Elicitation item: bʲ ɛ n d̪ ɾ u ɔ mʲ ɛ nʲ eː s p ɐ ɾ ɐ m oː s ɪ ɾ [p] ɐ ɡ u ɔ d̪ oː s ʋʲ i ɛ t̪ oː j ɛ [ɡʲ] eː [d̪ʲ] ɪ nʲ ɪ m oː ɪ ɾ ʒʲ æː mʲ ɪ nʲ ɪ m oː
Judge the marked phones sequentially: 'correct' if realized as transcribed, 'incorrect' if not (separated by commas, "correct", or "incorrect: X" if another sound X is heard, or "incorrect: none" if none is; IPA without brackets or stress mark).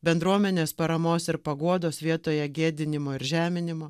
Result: correct, correct, correct